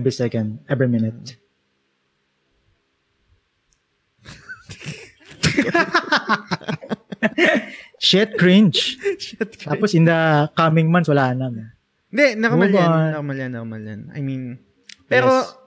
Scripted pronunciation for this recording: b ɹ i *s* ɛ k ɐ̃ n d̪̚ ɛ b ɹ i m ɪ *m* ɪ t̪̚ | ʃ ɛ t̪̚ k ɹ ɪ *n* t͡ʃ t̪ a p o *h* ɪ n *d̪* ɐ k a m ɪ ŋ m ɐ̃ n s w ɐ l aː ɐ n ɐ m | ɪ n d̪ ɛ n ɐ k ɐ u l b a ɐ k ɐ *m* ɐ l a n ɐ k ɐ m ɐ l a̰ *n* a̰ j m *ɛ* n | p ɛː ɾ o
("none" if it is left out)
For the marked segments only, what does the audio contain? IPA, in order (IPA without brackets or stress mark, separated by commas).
s, n, n, s, d̪, m, n, i